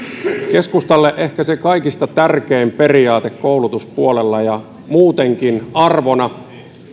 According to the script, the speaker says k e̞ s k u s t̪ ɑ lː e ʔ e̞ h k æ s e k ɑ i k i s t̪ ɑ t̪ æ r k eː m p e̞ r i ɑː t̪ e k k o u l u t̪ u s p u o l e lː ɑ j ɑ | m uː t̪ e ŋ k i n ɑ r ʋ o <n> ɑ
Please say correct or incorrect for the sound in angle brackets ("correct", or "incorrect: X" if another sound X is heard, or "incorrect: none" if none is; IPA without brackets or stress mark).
correct